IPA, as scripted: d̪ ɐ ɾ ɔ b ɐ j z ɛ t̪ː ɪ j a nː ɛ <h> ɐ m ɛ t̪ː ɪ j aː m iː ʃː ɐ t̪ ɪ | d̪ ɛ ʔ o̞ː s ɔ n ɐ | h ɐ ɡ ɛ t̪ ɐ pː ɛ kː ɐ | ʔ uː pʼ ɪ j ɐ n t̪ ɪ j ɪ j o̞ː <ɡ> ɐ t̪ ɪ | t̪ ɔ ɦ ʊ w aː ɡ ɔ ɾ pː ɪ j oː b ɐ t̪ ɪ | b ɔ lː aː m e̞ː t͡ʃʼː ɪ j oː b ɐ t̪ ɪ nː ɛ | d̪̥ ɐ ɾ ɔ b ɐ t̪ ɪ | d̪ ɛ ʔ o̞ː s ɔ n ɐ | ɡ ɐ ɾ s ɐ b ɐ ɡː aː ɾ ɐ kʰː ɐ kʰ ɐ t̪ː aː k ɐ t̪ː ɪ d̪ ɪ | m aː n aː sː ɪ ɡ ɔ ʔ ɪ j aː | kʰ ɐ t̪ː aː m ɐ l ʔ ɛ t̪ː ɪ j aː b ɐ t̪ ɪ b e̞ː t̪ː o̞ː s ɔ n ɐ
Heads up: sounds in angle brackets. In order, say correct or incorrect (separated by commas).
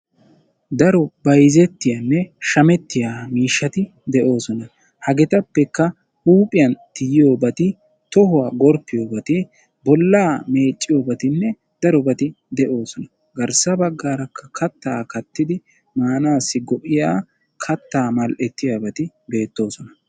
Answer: incorrect, incorrect